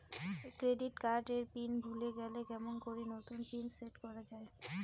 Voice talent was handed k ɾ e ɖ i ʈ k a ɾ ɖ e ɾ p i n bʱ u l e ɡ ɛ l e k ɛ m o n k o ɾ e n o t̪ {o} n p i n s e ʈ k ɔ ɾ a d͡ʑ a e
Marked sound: incorrect: u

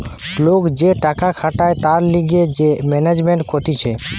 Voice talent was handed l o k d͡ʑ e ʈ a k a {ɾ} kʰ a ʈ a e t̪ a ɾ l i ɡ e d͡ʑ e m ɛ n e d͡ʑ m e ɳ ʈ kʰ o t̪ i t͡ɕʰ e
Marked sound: incorrect: none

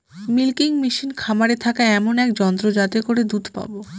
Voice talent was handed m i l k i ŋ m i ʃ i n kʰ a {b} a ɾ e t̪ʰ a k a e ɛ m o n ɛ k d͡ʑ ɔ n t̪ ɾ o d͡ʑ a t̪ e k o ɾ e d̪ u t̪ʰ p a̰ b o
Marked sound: incorrect: m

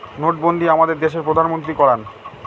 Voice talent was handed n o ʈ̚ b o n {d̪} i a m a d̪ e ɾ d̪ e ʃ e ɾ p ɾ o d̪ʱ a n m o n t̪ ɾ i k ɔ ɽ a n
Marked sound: correct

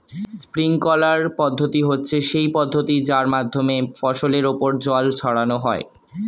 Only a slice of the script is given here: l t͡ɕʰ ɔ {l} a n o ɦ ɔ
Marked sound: incorrect: ɽ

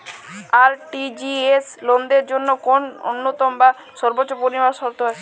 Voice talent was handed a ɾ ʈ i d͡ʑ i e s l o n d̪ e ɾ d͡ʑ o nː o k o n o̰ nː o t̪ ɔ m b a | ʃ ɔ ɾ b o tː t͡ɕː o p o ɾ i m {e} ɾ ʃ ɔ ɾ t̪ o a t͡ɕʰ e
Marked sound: incorrect: a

